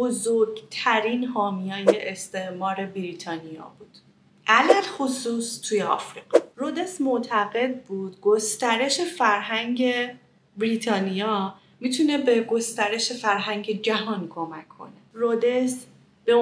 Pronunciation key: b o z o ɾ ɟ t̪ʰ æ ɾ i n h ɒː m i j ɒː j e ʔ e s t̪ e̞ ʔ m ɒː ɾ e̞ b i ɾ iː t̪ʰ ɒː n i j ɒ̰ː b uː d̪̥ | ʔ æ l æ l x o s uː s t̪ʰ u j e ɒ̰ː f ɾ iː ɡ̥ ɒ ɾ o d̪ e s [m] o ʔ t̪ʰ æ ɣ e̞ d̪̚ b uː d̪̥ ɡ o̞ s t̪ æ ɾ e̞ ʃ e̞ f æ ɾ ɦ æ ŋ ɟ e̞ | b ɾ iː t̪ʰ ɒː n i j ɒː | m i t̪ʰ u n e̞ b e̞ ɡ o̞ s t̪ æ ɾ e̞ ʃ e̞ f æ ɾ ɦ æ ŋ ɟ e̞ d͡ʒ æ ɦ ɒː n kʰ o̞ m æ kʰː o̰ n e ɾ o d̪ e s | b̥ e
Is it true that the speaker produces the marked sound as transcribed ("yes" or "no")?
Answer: yes